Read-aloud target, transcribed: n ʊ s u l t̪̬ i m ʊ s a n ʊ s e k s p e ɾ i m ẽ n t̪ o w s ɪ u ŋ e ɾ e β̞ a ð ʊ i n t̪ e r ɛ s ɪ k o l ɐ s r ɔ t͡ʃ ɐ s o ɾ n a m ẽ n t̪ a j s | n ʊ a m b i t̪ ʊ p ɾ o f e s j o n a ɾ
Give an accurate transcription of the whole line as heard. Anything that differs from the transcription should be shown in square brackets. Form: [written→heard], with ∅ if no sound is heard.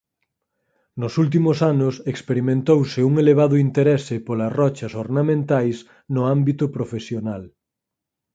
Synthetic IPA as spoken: n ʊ s u l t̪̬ i m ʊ s a n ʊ s e k s p e ɾ i m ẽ n t̪ o w s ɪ u ŋ e [ɾ→l] e β̞ a ð ʊ i n t̪ e [r→ɾ] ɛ s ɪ [k→p] o l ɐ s r ɔ t͡ʃ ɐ s o ɾ n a m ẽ n t̪ a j s | n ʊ a m b i t̪ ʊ p ɾ o f e s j o n a [ɾ→l]